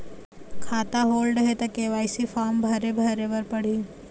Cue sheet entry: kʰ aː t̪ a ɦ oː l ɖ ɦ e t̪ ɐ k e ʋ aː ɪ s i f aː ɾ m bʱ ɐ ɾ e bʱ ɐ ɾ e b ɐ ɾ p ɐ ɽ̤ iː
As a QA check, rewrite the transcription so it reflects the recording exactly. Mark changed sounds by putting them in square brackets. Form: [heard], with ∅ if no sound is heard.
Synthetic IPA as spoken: kʰ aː t̪ a ɦ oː l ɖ ɦ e t̪ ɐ k e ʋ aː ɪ s i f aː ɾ m bʱ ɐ ɾ e bʱ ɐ ɾ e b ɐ ɾ p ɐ ɽ̤ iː